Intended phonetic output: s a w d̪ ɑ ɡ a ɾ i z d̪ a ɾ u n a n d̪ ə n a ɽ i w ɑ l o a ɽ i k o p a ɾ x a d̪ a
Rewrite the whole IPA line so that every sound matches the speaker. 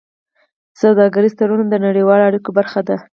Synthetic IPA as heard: s a w d̪ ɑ ɡ a ɾ i z t̪ a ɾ u n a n d̪ ə n a ɽ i w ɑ l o a ɽ i k o b a ɾ x a d̪ a